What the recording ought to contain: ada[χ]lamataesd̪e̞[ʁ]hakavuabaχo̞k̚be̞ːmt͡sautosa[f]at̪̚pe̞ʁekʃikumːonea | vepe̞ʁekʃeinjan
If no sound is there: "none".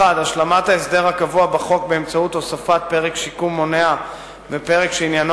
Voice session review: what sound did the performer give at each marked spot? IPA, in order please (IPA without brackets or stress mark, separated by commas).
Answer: ʃ, ʁ, f